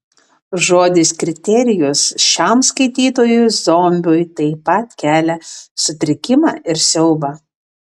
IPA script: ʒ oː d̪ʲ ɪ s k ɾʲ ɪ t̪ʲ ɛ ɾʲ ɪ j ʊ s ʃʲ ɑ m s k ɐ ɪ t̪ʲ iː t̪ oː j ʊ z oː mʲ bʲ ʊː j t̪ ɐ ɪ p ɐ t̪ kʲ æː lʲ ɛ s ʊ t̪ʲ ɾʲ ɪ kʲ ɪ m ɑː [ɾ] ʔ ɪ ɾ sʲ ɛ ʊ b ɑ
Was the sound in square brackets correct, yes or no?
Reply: no